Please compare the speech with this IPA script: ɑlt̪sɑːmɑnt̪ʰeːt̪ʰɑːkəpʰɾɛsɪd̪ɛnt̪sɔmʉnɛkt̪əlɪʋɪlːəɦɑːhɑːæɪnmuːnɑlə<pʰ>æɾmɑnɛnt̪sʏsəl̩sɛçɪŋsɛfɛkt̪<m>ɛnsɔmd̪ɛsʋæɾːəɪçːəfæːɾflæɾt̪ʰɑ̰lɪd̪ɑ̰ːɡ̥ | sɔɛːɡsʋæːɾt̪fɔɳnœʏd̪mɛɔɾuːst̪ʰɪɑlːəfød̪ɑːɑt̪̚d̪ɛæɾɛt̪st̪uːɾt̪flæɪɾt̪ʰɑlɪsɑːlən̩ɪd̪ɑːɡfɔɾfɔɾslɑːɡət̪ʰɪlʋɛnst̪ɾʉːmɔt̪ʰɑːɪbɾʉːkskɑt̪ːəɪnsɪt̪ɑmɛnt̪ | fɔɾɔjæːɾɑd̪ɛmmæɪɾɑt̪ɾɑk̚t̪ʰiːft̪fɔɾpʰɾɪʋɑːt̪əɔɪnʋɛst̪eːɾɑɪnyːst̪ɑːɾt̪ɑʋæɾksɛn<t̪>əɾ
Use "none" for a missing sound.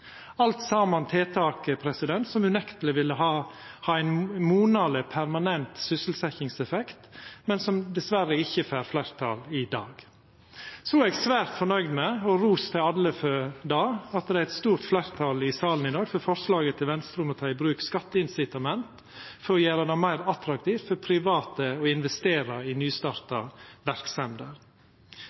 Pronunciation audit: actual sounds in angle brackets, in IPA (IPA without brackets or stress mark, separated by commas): pʰ, m, d̪